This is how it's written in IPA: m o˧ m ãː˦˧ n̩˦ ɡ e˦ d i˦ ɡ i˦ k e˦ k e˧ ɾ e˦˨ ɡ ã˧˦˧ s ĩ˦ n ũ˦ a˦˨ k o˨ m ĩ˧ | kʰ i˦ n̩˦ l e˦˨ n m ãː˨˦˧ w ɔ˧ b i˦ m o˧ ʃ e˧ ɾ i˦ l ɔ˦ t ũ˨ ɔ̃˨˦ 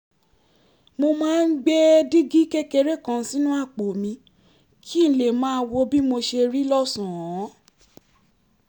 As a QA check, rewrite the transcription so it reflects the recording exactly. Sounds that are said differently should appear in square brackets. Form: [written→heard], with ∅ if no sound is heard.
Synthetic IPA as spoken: m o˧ m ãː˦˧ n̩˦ [ɡ→ɡ͡b] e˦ d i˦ ɡ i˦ k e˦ k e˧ ɾ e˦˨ [ɡ→k] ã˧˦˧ s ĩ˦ n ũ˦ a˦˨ [k→k͡p] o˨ m ĩ˧ | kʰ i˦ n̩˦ l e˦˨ [n→∅] m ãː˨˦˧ w [ɔ˧→o˧] b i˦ m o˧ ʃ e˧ ɾ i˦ l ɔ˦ [t→s] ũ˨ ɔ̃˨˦